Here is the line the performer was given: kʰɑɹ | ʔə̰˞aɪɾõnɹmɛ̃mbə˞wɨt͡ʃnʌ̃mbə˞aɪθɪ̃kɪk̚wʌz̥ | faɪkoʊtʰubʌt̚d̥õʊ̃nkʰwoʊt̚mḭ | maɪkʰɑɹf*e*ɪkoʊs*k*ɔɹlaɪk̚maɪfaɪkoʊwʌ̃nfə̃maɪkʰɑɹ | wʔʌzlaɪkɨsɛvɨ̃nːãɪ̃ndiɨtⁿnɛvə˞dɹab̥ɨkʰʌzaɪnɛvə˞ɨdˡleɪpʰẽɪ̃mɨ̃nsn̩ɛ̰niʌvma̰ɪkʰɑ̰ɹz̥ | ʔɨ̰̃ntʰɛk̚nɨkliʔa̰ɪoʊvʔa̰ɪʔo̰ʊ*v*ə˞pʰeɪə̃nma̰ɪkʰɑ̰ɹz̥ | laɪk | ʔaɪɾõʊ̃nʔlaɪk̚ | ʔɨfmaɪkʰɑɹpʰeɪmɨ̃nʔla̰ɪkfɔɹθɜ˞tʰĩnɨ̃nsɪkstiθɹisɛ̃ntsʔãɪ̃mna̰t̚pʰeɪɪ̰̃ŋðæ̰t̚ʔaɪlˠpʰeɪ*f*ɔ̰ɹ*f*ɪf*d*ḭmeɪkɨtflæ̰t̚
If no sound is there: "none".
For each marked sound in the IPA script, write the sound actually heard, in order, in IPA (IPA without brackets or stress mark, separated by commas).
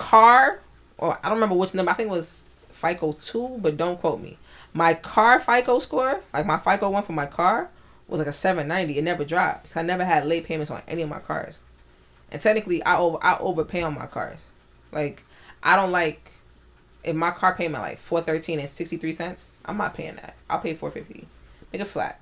a, k, v, f, f, t